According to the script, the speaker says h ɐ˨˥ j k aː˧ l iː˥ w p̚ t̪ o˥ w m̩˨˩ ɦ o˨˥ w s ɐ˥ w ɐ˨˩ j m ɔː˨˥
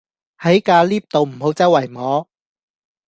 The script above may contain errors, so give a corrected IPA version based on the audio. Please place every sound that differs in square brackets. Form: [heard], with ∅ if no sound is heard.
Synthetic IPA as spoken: h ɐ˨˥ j k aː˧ l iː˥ [∅] p̚ t̪ [o˨] w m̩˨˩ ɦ o˨˥ w [t͡s] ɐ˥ w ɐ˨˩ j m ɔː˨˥